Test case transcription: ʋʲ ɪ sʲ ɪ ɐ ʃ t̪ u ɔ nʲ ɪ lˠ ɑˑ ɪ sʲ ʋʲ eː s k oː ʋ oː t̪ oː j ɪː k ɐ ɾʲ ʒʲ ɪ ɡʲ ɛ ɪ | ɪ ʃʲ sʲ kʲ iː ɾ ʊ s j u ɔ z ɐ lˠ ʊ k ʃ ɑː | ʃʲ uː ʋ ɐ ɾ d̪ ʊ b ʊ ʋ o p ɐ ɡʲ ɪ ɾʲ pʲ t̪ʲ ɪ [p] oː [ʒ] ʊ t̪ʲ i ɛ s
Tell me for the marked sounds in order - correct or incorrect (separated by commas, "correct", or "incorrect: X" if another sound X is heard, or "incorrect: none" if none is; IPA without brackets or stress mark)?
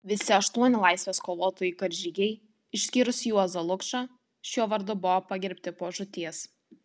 correct, correct